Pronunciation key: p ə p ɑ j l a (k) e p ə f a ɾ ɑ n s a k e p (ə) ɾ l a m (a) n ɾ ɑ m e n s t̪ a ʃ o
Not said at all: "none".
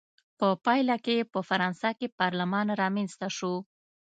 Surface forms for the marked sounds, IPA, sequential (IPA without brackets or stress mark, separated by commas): k, ɑ, ɑ